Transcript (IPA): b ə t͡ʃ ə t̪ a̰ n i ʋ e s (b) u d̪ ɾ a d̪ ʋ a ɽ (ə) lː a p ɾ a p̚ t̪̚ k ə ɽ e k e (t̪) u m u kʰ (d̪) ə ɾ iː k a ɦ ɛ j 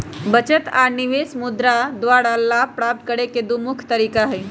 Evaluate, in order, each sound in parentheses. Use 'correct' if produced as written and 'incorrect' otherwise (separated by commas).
incorrect, incorrect, incorrect, incorrect